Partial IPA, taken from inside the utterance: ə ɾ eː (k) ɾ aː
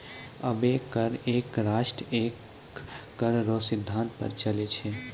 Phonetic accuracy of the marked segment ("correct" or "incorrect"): correct